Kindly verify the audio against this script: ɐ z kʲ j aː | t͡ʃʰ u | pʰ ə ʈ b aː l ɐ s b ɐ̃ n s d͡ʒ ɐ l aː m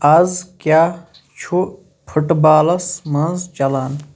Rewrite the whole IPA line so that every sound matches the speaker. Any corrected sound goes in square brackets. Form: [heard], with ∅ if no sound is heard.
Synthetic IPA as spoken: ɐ z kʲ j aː | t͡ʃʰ u | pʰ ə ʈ b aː l ɐ s [m] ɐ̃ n [z] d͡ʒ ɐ l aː [n]